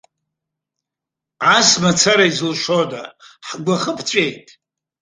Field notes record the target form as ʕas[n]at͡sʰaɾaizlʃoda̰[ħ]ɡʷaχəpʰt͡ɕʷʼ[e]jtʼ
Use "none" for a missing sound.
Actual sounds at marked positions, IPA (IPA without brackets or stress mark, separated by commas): m, ħ, e